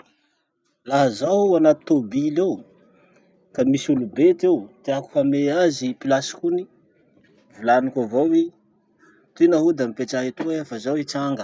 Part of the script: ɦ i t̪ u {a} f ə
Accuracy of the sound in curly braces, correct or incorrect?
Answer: incorrect